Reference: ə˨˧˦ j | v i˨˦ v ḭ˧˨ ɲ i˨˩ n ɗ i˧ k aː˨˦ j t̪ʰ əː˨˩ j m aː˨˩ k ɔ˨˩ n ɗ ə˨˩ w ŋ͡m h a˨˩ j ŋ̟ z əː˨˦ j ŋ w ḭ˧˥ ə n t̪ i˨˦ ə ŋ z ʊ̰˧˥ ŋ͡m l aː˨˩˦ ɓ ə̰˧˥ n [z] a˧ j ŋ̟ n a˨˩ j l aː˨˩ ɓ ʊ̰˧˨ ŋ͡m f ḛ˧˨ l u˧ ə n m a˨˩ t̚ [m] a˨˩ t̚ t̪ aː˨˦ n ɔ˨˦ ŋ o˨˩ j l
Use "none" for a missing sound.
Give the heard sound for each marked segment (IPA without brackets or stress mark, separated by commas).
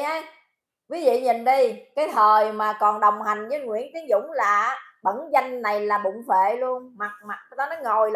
z, m